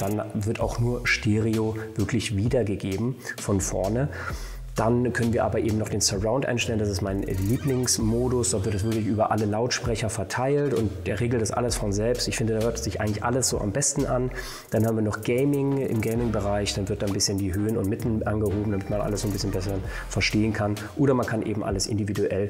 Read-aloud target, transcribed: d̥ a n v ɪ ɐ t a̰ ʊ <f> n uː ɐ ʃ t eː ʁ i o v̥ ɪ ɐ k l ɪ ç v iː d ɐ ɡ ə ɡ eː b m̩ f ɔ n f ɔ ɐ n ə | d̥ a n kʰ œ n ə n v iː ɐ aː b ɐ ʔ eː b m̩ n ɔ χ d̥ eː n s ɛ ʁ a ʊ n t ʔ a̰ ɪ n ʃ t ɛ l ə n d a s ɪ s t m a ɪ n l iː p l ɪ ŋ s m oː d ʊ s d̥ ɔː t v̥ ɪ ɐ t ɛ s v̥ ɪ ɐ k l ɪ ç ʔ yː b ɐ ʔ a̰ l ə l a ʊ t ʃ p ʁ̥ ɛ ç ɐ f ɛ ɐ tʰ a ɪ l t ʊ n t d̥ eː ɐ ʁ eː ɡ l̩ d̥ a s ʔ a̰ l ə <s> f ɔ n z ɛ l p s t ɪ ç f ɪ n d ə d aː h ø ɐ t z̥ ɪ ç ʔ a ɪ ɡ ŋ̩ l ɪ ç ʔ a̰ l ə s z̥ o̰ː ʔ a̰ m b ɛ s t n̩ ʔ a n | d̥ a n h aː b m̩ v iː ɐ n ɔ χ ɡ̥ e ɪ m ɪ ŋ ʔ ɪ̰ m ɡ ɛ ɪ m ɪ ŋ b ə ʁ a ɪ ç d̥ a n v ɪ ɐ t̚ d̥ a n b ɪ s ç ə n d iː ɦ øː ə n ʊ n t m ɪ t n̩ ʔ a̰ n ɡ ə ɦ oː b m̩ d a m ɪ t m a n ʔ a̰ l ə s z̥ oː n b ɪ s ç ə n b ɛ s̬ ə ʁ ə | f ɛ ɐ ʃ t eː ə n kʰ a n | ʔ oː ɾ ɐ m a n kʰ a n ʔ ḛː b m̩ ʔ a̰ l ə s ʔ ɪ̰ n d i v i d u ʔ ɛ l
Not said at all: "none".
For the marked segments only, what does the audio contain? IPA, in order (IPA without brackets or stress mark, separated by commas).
x, s